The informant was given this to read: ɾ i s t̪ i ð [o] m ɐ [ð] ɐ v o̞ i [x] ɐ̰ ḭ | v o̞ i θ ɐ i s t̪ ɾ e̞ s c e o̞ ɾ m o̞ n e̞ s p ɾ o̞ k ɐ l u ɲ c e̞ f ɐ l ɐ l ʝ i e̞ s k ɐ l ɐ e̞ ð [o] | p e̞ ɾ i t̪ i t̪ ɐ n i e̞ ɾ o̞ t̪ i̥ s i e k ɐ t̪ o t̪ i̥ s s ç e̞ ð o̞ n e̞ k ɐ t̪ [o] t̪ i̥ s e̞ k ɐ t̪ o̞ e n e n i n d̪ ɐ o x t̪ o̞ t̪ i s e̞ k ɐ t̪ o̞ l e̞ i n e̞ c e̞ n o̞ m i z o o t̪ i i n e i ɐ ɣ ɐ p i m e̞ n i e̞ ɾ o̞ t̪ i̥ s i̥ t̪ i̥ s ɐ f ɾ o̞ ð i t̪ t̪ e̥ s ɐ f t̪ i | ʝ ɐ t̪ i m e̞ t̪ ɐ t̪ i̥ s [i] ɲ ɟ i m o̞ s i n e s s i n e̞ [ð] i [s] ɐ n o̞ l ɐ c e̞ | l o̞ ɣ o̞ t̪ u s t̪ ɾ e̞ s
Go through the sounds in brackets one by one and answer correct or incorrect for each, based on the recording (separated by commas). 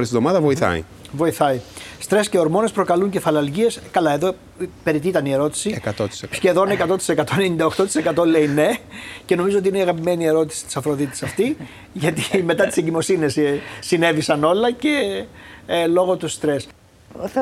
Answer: correct, correct, incorrect, correct, correct, incorrect, incorrect, correct